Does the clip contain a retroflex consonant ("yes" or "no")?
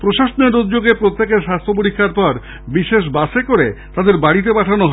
yes